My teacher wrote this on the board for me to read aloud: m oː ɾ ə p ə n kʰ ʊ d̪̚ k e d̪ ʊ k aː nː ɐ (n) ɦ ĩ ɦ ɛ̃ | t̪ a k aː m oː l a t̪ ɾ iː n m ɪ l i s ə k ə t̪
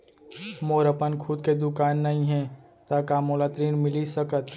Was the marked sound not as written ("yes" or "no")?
yes